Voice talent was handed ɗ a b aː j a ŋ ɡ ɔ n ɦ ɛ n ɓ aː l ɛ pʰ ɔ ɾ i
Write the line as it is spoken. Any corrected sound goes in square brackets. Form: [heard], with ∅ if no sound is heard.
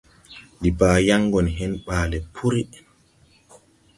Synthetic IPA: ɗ [i] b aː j a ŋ ɡ ɔ n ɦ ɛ n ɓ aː l ɛ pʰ [u] ɾ i